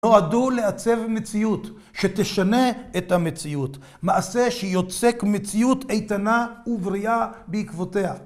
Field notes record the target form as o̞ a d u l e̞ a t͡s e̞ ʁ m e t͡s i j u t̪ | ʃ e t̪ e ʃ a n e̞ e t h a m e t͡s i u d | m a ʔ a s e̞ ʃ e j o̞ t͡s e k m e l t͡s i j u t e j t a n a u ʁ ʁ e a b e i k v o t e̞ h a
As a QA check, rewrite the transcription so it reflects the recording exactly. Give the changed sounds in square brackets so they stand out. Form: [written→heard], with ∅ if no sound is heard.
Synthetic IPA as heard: o̞ a d u l e̞ a t͡s e̞ [ʁ→v] m e t͡s i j u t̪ | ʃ e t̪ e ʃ a n e̞ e t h a m e t͡s i u [d→t] | m a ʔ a s e̞ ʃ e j o̞ t͡s e k m e [l→∅] t͡s i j u t e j t a n a u [ʁ→v] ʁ [e→i] a b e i k v o t e̞ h a